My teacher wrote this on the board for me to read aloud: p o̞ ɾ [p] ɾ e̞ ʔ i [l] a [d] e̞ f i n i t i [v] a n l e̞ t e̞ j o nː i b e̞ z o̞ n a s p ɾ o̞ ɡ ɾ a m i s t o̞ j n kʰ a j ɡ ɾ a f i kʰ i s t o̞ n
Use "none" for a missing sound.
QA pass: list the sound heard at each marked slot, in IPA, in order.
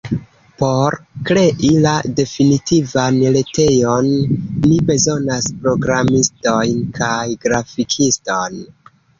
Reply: k, l, d, v

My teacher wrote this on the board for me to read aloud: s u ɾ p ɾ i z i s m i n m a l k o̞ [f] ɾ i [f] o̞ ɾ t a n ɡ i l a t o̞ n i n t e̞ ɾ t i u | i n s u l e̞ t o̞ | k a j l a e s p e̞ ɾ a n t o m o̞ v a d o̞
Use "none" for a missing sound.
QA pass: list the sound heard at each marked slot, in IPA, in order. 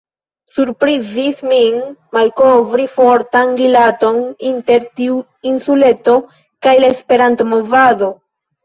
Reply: v, f

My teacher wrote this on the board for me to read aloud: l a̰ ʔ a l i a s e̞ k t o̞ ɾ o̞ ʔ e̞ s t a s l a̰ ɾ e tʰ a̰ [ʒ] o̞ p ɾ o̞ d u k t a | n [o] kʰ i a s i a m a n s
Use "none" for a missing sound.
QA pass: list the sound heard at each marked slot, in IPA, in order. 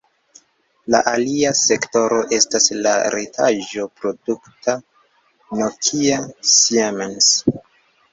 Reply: ʒ, o

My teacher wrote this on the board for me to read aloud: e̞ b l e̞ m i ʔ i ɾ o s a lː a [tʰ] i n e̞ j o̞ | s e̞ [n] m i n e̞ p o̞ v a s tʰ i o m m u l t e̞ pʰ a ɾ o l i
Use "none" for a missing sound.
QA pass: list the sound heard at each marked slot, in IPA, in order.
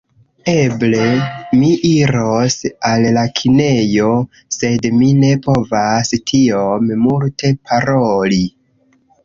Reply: kʰ, d

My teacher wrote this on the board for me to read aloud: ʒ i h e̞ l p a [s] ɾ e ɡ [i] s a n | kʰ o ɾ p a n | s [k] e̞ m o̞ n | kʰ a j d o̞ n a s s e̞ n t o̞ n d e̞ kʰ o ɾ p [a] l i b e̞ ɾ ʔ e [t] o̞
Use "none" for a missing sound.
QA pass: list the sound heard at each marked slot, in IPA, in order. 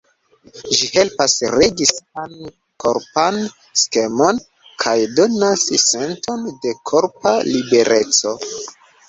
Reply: s, i, k, a, t͡s

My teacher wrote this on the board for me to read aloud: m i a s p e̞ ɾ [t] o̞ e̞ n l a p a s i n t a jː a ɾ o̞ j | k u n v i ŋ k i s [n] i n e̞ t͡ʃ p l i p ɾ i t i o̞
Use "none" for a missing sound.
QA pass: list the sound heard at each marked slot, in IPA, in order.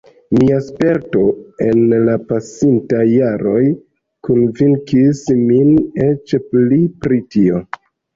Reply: t, m

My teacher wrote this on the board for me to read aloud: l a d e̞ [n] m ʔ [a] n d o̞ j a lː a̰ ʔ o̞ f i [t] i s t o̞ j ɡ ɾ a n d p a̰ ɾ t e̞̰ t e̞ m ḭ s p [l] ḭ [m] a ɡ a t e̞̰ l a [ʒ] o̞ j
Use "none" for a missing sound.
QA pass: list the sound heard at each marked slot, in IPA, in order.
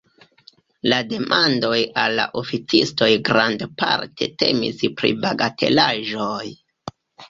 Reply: none, a, t͡s, ɾ, b, ʒ

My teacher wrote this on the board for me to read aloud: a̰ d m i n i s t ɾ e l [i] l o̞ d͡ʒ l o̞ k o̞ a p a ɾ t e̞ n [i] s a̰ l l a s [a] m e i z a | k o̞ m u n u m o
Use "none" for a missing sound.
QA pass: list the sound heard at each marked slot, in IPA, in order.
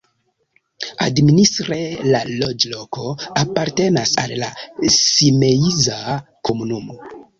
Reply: a, a, i

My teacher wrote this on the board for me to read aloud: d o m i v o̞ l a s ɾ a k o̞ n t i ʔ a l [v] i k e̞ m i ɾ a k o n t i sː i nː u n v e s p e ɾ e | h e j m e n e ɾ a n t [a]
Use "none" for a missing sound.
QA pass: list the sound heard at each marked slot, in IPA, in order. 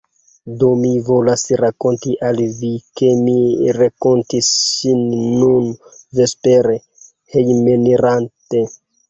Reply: v, e

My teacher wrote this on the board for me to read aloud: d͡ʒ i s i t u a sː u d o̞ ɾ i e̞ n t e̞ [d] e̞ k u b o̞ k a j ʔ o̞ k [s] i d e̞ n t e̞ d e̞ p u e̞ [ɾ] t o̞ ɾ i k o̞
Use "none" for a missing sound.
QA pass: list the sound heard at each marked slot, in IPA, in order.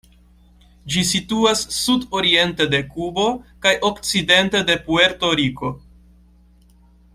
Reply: d, t͡s, ɾ

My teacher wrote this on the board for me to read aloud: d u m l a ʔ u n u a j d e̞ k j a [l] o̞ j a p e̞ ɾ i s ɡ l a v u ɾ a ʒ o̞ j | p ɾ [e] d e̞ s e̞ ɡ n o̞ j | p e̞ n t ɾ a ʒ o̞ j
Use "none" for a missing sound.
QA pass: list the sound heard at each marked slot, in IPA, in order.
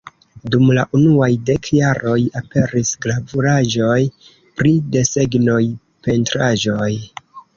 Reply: ɾ, i

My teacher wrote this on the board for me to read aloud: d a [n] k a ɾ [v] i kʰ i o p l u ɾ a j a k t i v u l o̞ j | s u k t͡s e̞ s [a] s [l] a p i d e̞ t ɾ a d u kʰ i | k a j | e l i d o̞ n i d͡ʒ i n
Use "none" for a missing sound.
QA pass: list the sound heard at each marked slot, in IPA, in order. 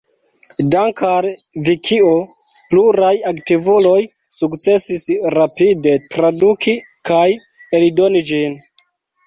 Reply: ŋ, v, i, ɾ

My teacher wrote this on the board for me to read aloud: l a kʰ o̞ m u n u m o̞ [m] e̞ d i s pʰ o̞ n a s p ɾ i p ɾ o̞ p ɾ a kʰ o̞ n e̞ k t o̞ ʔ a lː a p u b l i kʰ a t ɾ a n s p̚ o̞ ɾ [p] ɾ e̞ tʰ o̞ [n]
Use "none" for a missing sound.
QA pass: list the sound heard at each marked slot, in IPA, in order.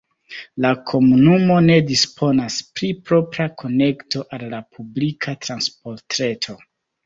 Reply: n, t, none

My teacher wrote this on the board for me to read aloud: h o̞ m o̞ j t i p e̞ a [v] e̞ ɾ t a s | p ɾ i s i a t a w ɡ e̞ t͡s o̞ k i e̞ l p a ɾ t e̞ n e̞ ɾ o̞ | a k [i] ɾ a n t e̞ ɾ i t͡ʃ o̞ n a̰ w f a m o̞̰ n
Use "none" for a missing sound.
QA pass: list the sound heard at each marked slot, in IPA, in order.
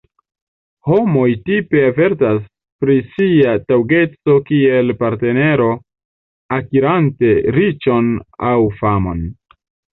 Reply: v, i

